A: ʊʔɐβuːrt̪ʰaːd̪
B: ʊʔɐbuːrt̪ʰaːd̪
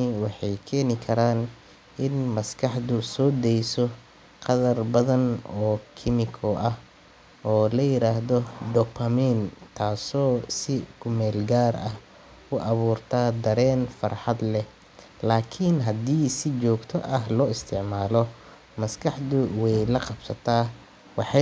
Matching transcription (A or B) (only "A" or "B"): A